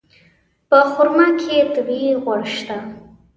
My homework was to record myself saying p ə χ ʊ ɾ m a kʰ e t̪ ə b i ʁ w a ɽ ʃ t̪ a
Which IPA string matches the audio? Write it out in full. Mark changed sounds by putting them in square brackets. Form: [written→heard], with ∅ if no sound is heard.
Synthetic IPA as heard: p ə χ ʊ ɾ m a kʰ e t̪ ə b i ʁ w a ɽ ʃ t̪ a